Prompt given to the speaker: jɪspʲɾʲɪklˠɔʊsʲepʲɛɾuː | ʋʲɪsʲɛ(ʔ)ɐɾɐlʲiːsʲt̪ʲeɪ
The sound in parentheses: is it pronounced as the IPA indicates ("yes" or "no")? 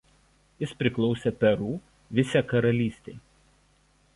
no